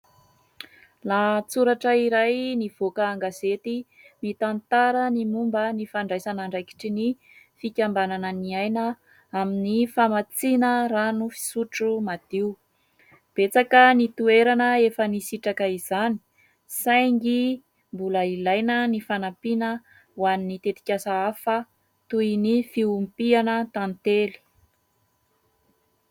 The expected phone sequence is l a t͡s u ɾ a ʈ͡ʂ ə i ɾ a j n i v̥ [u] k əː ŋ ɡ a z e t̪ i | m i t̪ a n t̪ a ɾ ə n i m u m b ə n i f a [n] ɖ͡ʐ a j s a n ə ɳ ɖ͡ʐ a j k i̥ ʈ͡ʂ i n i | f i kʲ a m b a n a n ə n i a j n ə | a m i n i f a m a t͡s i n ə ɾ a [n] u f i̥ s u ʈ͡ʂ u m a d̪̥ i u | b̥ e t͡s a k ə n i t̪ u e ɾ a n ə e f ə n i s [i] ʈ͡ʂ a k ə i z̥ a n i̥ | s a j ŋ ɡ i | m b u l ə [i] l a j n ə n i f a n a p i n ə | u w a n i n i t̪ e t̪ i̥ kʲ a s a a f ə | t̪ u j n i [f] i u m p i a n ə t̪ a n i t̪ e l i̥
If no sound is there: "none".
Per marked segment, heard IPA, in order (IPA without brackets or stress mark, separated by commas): o, ɳ, n, i, i, f